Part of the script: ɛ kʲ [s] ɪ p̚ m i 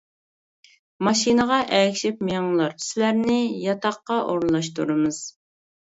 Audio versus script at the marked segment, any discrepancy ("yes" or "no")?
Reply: yes